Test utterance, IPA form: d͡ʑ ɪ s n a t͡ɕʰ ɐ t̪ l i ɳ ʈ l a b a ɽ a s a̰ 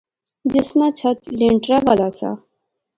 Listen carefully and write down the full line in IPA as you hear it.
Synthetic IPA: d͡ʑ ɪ s n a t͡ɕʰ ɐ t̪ l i ɳ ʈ ɾ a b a l a s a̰